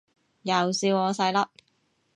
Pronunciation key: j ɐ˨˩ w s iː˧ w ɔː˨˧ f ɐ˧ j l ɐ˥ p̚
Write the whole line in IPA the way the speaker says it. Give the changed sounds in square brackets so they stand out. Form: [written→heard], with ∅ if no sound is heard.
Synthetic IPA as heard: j ɐ˨˩ w s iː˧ w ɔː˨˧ [f→s] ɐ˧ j l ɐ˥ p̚